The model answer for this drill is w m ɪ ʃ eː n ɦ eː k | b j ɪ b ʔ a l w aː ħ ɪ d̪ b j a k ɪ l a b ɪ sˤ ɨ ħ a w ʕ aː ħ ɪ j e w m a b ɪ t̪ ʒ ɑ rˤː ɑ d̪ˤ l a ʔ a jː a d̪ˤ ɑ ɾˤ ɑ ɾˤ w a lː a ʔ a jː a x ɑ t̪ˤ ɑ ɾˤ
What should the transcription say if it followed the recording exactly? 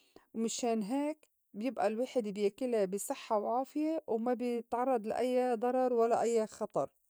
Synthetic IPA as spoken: w m ɪ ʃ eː n ɦ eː k | b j ɪ b ʔ a l w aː ħ ɪ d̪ b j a k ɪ l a b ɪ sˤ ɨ ħː a w ʕ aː f ɪ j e w m a b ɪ t̪ ʕ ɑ rˤː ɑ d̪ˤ l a ʔ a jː a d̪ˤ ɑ ɾˤ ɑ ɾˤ w a lː a ʔ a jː a x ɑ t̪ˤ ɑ ɾˤ